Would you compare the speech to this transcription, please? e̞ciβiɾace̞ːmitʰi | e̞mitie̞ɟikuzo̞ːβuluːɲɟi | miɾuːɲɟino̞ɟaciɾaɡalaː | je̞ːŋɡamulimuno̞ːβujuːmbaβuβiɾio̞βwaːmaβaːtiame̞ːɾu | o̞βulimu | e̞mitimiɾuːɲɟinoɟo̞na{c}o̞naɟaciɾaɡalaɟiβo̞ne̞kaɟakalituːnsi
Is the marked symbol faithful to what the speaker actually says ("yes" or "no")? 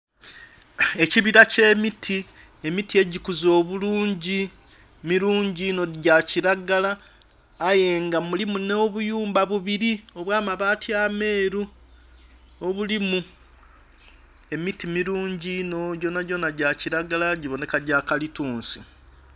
no